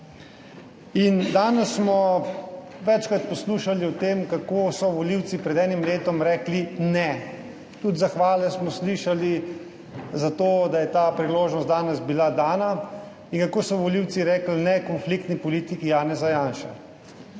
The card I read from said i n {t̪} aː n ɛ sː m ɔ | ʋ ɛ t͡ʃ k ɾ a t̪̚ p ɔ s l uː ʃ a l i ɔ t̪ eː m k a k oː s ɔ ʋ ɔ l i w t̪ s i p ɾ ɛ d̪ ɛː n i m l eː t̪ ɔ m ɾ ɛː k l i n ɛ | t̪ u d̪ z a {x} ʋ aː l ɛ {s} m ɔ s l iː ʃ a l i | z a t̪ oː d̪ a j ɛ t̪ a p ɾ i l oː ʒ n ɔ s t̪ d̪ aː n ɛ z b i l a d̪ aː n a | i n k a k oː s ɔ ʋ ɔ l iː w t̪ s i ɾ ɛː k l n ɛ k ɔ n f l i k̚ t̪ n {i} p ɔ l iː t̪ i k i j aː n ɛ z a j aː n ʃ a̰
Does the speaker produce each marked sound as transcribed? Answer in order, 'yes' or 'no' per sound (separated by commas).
no, yes, yes, yes